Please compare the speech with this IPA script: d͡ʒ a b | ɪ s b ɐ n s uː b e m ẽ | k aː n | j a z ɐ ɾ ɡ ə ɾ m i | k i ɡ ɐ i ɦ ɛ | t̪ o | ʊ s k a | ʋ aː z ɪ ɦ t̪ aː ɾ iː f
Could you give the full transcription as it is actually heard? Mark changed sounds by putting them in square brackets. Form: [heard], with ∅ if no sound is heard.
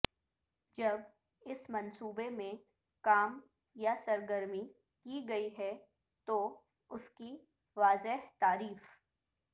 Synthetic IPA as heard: d͡ʒ [ɐ] b | ɪ s [m] ɐ n s uː b e m ẽ | k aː [m] | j a [s] ɐ ɾ ɡ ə ɾ m i | k i ɡ ɐ i ɦ ɛ | t̪ o | ʊ s k [i] | ʋ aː z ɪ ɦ t̪ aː ɾ iː f